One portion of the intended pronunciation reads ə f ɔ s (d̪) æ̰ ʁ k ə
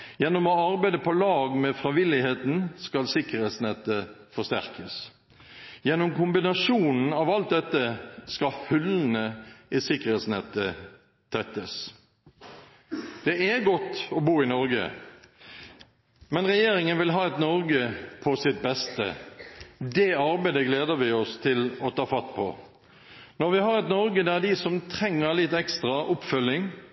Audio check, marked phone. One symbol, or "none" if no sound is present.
t̪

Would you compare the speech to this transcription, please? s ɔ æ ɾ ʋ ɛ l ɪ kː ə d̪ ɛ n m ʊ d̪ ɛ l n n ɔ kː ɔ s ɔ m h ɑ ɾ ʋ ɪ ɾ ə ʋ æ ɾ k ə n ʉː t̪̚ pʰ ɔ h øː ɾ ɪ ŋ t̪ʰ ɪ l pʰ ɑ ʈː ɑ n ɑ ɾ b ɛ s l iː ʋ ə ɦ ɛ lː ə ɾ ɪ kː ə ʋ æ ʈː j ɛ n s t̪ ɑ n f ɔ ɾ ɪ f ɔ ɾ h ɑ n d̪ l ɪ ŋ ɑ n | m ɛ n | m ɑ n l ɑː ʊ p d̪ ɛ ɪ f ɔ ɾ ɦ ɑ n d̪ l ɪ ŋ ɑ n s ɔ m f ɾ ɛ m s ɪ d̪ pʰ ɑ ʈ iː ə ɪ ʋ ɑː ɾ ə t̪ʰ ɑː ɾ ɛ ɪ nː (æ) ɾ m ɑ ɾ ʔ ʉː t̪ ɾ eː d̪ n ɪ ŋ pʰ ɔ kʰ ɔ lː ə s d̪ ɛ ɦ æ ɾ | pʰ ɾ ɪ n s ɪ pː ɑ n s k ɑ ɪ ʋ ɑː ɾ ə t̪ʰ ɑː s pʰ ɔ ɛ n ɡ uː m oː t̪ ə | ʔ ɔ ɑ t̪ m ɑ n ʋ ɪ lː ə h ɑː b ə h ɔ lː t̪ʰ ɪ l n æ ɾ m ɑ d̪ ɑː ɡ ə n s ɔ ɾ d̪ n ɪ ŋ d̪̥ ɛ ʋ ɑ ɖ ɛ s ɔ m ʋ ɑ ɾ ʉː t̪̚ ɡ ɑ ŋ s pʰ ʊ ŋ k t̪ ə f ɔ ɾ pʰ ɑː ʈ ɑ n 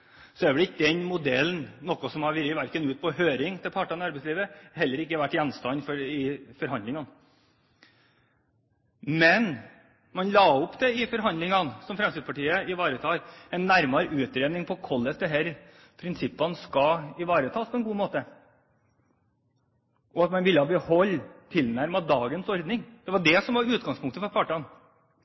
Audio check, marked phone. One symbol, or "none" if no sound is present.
æ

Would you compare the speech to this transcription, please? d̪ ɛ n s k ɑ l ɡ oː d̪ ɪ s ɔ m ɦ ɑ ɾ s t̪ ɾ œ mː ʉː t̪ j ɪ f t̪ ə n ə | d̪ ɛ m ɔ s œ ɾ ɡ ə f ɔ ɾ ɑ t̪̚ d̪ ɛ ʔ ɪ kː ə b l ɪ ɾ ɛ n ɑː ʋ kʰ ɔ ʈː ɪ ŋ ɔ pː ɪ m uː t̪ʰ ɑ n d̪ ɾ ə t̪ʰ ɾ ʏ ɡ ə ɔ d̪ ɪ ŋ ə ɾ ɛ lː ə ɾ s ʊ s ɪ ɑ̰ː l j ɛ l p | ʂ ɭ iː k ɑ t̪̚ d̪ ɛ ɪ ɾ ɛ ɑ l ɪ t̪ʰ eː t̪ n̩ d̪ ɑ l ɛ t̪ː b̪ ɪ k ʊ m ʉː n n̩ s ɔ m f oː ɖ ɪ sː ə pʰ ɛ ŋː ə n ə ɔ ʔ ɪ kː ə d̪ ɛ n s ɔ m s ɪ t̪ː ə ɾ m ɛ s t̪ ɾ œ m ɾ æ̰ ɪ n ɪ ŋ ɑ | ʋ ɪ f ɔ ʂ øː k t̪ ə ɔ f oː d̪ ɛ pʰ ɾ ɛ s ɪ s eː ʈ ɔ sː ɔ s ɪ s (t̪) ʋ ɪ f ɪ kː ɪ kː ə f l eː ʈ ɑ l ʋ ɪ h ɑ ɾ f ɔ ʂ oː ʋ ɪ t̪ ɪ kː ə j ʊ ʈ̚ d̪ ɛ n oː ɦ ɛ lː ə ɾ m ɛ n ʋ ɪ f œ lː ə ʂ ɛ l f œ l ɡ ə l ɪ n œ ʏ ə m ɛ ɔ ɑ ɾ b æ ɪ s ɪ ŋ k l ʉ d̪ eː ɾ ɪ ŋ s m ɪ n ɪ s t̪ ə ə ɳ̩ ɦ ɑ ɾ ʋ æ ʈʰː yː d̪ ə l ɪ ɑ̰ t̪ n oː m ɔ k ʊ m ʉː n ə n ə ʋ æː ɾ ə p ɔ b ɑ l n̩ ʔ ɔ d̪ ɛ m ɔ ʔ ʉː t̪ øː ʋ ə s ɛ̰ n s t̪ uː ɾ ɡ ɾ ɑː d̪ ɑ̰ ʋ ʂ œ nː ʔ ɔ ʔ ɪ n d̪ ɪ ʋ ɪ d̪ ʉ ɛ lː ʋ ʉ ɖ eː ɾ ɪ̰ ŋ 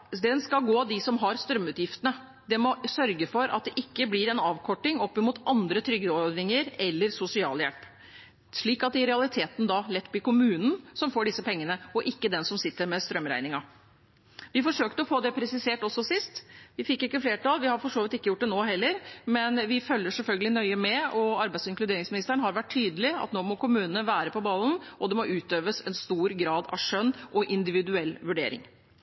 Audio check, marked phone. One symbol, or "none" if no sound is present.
t̪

